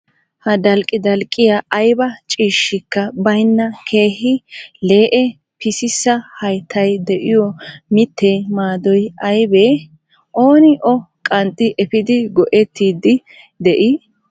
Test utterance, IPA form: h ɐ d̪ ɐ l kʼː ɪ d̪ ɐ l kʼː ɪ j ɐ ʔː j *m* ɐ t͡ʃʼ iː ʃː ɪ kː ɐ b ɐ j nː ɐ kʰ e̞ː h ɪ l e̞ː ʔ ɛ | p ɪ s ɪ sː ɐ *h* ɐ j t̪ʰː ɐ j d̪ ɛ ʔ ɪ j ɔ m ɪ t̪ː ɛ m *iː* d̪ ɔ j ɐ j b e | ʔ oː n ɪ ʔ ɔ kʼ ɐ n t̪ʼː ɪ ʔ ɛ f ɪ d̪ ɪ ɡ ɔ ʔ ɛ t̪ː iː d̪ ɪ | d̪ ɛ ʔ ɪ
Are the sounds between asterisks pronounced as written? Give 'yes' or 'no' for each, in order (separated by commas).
no, yes, no